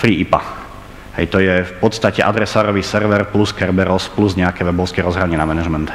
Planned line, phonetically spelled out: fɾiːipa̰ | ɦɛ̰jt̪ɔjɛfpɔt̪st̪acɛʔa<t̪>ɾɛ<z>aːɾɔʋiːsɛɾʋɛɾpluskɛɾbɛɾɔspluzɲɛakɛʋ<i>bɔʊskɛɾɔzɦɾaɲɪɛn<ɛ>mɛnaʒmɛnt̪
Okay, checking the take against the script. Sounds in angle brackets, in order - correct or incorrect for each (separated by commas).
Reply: incorrect, incorrect, incorrect, incorrect